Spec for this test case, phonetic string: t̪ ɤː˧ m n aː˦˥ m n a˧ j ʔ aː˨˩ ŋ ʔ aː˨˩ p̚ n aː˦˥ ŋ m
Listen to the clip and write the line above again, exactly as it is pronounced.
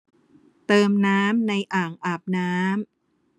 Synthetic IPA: t̪ ɤː˧ m n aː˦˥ m n a˧ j ʔ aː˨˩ ŋ ʔ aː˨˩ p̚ n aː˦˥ m